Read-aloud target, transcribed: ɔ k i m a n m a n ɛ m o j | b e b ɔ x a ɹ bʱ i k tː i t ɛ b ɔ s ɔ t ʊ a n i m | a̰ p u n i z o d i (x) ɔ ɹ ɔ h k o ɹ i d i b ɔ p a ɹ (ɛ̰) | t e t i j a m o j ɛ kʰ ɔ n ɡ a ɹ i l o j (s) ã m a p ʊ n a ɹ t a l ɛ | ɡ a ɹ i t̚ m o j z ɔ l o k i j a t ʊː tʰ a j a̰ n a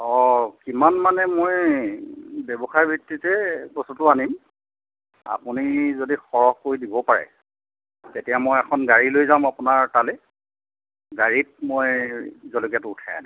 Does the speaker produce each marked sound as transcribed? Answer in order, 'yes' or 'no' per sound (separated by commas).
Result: yes, yes, no